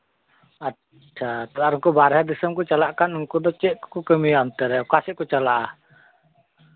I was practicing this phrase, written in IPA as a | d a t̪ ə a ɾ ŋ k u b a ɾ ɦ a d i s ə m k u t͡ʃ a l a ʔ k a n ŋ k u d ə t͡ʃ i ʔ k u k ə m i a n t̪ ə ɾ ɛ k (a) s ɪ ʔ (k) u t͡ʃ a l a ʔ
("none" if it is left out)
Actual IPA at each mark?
a, k

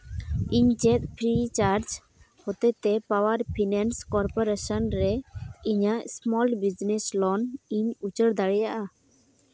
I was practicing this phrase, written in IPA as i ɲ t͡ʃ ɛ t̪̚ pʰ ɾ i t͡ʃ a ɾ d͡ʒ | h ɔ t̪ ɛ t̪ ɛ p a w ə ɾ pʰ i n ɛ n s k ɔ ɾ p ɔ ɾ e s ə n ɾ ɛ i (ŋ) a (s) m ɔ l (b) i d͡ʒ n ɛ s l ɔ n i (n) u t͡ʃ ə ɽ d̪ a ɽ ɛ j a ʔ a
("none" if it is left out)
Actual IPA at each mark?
ɲ, s, b, ɲ

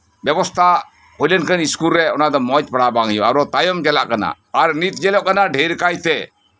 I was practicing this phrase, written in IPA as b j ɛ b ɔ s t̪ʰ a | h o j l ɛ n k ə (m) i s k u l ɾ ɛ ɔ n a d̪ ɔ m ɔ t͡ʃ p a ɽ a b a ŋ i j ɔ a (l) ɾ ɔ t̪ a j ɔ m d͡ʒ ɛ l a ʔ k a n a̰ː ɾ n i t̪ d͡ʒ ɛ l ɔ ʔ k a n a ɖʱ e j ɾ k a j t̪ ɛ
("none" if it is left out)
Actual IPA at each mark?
n, none

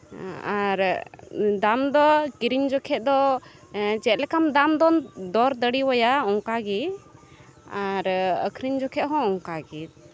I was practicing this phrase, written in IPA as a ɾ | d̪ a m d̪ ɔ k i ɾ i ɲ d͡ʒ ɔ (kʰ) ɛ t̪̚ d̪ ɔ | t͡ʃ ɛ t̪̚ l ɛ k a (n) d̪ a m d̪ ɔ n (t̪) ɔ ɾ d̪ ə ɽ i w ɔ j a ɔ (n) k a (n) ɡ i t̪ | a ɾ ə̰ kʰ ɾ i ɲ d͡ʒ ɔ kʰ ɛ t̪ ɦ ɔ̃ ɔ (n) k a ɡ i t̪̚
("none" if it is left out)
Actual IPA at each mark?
kʰ, m, d̪, ŋ, none, ŋ

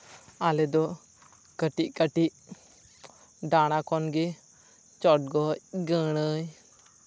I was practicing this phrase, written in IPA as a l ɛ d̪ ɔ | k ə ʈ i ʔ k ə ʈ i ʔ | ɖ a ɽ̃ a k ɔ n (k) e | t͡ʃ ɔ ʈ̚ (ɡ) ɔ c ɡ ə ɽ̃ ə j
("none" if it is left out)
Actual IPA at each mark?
ɡ, ɡ

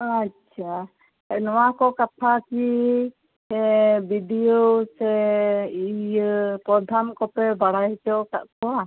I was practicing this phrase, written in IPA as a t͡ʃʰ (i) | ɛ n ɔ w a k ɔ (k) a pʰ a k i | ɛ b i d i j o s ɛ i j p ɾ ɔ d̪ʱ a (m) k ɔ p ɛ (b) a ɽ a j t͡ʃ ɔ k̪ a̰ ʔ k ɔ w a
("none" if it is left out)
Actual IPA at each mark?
a, k, m, b

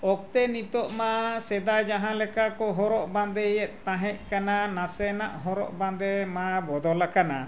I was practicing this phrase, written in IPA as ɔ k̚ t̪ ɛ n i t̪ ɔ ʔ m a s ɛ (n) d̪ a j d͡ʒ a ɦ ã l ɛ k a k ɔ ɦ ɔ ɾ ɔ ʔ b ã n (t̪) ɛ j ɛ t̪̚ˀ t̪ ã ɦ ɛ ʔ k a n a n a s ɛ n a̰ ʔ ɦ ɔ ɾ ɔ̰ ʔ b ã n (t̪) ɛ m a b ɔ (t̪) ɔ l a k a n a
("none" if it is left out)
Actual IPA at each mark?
none, d̪, d̪, d̪

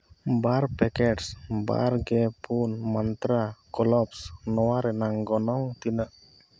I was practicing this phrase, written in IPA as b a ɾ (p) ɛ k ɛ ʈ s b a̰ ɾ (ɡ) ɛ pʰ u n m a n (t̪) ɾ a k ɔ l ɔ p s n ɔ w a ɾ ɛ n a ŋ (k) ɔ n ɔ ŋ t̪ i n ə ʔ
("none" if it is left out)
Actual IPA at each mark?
p, ɡ, t̪, ɡ

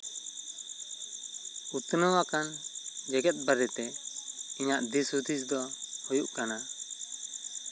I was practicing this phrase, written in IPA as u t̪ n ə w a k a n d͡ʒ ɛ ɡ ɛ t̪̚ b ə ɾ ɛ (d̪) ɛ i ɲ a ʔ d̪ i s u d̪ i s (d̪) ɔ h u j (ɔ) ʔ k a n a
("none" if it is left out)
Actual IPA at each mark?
t̪, d̪, u

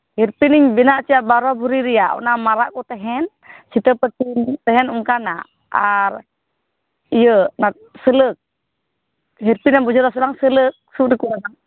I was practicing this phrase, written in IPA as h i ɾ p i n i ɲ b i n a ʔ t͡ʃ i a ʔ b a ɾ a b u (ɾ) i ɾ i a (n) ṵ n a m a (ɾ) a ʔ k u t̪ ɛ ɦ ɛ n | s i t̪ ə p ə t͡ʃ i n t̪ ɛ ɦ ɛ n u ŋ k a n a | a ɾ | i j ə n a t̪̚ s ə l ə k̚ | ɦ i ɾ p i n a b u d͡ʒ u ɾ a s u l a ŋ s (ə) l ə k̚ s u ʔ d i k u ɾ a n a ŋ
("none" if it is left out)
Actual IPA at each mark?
ɾ, none, ɾ, ə

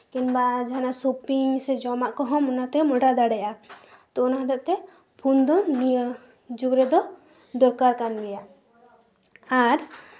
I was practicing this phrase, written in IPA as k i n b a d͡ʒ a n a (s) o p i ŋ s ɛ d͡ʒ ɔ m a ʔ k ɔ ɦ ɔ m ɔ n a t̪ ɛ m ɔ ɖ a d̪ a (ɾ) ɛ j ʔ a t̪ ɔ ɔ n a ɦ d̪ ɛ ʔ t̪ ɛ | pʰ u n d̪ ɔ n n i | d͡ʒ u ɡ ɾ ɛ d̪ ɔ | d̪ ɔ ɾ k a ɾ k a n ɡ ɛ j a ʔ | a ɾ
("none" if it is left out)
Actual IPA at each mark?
s, ɽ

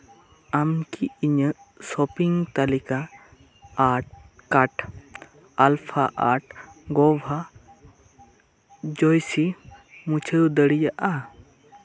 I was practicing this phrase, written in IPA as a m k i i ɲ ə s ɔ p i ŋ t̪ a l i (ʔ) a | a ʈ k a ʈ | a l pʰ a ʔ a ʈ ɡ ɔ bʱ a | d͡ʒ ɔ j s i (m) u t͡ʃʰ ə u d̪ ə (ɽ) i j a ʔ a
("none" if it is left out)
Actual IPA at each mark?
k, m, ɽ

